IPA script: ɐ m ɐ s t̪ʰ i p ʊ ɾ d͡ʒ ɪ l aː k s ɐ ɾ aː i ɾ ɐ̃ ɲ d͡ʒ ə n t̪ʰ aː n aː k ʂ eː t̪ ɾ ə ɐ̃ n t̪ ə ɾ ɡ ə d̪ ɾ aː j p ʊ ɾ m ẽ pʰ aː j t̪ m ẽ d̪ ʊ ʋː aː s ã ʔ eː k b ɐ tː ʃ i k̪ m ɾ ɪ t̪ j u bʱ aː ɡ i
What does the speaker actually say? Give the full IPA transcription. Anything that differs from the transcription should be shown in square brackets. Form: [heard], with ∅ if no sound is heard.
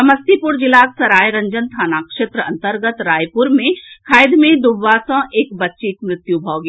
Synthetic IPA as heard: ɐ m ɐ s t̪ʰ i p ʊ ɾ d͡ʒ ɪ l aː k s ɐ ɾ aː [j] ɾ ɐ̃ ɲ d͡ʒ ə n t̪ʰ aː n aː k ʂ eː t̪ ɾ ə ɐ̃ n t̪ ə ɾ ɡ ə [t̪] ɾ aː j p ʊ ɾ m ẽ [kʰ] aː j [d̪] m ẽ d̪ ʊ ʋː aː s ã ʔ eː k b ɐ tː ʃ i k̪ m ɾ ɪ t̪ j u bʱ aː ɡ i